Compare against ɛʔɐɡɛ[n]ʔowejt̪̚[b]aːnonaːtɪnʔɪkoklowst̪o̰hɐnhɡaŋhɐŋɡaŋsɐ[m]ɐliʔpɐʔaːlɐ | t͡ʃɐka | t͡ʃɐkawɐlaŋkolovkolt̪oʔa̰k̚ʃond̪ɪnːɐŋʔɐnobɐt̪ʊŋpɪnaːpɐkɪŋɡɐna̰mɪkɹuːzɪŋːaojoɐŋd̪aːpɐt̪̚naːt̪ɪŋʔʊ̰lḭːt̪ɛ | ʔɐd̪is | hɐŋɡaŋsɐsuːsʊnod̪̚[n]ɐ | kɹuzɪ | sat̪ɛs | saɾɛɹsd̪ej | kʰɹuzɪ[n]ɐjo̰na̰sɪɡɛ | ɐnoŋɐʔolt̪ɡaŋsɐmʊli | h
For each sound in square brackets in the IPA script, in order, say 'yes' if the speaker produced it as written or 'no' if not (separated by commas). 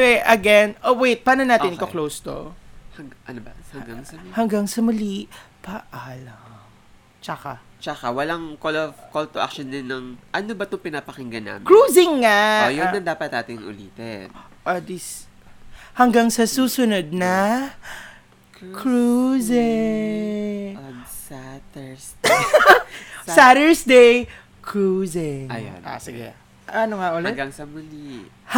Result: yes, no, yes, yes, no